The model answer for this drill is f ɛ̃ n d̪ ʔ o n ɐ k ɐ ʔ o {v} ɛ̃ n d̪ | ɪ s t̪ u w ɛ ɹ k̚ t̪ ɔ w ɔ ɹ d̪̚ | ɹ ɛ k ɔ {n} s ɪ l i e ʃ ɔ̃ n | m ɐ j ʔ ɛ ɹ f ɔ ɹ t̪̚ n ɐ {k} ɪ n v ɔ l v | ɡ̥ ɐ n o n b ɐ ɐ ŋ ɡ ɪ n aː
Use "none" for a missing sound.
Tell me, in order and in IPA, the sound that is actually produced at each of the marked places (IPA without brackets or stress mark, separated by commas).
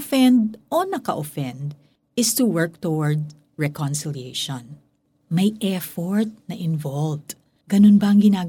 f, n, ʔ